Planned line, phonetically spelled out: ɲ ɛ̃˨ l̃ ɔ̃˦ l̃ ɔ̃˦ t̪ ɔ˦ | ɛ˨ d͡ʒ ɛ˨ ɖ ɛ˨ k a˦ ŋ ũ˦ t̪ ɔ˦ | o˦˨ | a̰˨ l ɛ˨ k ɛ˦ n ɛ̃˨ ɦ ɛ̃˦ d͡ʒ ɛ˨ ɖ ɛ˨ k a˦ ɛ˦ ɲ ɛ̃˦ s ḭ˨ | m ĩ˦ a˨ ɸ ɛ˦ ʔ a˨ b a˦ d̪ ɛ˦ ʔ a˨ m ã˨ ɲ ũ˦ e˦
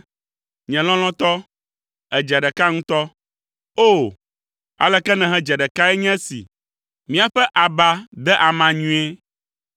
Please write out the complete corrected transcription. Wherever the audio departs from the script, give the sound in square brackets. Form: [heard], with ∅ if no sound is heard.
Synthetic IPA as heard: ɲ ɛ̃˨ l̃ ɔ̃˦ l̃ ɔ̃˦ t̪ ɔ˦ | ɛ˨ d͡ʒ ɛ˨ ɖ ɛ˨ k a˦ ŋ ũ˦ t̪ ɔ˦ | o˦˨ | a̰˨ l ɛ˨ k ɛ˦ n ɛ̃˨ ɦ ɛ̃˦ d͡ʒ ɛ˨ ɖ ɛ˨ k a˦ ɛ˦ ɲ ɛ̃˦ s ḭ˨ | m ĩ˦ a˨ ɸ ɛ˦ ʔ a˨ b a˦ d̪ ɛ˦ ʔ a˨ m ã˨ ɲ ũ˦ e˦

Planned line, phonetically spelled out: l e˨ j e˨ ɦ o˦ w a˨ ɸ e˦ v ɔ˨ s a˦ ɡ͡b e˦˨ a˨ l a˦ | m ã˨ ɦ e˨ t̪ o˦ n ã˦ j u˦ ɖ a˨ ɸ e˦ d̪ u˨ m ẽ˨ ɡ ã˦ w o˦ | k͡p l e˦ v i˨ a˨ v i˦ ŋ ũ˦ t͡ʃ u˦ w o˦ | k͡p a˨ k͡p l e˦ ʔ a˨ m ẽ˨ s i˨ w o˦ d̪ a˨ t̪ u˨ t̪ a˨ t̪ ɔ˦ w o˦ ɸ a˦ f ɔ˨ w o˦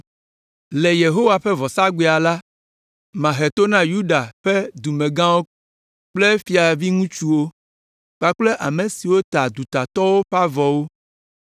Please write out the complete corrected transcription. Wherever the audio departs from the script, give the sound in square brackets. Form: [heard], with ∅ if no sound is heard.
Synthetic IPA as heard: l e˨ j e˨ ɦ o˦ w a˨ ɸ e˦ v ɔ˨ s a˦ ɡ͡b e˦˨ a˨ l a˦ | m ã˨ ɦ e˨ t̪ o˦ n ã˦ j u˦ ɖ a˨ ɸ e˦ d̪ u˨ m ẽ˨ ɡ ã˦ w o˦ | k͡p l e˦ [f] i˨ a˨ v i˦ ŋ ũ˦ t͡ʃ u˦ w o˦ | k͡p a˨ k͡p l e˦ ʔ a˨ m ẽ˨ s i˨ w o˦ [t̪] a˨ [d̪] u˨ t̪ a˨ t̪ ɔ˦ w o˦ ɸ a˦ [v] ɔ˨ w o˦

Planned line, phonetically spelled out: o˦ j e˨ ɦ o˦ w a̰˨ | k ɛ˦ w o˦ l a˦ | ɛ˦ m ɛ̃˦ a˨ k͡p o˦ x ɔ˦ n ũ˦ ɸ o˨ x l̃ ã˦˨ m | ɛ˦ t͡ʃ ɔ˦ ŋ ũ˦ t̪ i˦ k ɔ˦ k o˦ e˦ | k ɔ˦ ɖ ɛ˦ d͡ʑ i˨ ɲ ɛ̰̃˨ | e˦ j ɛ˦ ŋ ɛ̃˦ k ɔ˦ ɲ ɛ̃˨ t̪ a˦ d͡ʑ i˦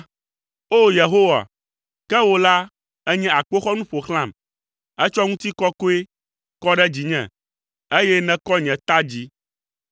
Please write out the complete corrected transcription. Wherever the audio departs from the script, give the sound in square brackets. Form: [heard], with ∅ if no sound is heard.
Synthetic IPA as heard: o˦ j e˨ ɦ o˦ w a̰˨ | k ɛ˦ w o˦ l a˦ | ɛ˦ [ɲ] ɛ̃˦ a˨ k͡p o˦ x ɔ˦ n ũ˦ ɸ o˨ x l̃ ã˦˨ m | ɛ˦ t͡ʃ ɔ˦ ŋ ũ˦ t̪ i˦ k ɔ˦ k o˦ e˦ | k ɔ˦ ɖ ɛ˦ d͡ʑ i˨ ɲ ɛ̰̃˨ | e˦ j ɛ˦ [n] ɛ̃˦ k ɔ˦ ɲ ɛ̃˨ t̪ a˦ d͡ʑ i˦

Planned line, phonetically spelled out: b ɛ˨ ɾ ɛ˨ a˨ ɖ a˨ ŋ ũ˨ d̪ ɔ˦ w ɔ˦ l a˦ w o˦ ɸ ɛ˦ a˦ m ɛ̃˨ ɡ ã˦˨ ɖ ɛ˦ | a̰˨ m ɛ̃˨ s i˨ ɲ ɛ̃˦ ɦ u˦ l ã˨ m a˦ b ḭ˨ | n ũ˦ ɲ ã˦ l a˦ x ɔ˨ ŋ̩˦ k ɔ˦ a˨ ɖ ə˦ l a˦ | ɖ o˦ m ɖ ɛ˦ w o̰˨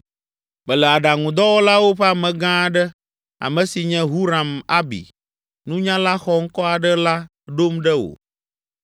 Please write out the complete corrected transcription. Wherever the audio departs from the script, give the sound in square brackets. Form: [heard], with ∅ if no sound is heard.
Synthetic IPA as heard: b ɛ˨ [l] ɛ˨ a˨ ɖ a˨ ŋ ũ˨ d̪ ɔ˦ w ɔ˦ l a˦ w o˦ ɸ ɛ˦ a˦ m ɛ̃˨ ɡ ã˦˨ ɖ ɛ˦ | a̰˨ m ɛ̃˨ s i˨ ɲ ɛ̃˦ ɦ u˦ [ɾ] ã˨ m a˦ b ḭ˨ | n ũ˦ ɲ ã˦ l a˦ x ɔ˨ ŋ̩˦ k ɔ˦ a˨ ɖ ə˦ l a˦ | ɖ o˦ m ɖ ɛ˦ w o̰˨

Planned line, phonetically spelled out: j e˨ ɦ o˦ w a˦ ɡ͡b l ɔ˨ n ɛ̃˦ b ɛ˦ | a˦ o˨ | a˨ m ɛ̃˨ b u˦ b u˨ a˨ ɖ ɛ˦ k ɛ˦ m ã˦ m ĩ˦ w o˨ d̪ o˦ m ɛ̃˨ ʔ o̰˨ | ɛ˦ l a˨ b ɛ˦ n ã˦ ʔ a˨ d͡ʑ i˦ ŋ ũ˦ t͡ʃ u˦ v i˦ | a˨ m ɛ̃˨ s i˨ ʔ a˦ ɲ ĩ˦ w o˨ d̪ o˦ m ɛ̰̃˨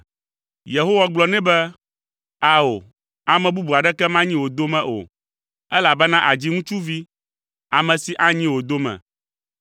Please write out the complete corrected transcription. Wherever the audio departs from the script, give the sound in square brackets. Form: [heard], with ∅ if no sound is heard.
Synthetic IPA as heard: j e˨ ɦ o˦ w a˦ ɡ͡b l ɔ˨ n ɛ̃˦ b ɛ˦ | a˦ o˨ | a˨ m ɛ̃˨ b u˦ b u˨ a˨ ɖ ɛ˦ k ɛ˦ m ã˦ [ɲ] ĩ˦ w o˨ d̪ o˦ m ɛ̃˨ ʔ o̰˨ | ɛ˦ l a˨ b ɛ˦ n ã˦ ʔ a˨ d͡ʑ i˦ ŋ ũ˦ t͡ʃ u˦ v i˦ | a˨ m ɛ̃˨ s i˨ ʔ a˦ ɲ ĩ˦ w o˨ d̪ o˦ m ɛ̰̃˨

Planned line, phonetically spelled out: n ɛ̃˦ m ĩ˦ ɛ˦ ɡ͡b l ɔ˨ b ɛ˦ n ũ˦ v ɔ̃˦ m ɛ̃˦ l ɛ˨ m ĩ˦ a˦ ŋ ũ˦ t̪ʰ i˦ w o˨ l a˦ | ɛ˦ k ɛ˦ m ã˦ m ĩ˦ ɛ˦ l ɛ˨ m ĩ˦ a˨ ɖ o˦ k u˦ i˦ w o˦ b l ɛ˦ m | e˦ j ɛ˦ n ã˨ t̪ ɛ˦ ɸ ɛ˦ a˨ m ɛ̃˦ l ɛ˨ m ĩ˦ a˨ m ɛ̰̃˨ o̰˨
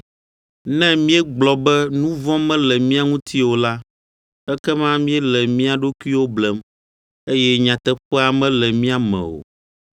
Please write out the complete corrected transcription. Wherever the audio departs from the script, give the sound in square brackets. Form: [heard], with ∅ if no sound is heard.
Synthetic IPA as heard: n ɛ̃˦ m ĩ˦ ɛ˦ ɡ͡b l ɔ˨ b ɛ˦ n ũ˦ v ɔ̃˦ m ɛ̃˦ l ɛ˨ m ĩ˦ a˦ ŋ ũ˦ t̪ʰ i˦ w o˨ l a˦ | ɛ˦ k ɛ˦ m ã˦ m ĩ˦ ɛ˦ l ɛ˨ m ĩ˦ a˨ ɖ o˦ k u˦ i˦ w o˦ b l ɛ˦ m | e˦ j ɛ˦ [ɲ] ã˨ t̪ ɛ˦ ɸ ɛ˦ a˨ m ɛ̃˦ l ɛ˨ m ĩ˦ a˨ m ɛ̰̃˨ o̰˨

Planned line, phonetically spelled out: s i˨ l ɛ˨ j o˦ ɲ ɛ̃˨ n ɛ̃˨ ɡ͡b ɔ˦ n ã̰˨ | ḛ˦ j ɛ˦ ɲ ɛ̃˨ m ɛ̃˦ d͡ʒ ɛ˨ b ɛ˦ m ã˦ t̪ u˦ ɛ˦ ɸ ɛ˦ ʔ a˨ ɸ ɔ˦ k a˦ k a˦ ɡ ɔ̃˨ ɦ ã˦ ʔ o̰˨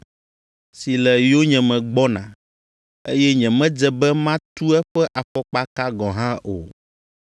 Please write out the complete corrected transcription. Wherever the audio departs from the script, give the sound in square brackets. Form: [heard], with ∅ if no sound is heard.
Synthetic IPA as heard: s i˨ l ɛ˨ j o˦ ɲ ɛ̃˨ [m] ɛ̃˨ ɡ͡b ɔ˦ n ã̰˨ | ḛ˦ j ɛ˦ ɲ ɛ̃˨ m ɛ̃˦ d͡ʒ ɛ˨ b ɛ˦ m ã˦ t̪ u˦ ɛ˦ ɸ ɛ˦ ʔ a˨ ɸ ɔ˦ [k͡p] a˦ k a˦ ɡ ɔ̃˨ ɦ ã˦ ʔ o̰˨

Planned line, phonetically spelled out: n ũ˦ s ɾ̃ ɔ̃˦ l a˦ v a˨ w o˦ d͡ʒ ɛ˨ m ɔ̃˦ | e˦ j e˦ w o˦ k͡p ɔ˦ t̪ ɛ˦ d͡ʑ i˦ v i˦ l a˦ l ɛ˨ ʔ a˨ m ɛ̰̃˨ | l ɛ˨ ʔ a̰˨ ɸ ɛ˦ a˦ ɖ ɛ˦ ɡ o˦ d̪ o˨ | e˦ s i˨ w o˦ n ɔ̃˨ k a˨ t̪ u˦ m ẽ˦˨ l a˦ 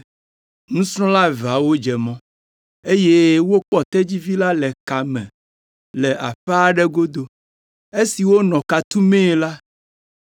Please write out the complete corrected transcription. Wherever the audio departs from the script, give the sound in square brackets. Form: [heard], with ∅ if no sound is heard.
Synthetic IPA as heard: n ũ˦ s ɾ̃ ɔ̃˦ l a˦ v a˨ w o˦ d͡ʒ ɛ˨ m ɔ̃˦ | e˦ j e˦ w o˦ k͡p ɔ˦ t̪ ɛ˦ d͡ʑ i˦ v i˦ l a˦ l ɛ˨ [k] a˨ m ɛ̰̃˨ | l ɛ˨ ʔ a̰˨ ɸ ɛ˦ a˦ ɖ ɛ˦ ɡ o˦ d̪ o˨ | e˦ s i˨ w o˦ n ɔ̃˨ k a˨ t̪ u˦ m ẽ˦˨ l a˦

